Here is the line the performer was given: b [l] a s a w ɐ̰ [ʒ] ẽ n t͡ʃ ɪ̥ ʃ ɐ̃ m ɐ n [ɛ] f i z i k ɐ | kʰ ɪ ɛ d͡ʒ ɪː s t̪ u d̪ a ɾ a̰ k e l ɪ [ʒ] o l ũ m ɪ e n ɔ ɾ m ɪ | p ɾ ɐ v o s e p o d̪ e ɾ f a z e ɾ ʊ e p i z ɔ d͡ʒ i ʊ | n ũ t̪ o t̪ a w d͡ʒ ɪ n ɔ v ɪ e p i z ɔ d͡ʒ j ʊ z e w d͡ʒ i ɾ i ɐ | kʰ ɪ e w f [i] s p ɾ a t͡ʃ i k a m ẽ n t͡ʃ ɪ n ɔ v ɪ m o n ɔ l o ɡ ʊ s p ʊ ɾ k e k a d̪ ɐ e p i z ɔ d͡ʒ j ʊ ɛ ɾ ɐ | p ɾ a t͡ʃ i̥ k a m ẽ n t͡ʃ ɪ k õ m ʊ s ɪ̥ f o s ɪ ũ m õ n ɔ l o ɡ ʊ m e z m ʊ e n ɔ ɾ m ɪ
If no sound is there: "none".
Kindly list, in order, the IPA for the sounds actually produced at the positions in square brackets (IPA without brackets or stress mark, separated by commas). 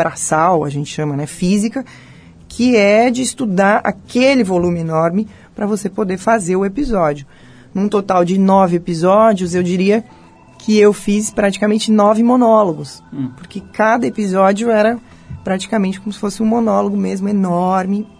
ɾ, ʒ, ɛ, v, i